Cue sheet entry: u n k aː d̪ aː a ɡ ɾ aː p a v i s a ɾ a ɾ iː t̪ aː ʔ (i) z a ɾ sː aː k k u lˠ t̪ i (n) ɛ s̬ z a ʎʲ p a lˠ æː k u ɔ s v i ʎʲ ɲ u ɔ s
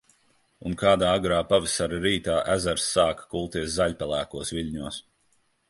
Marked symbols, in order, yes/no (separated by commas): no, no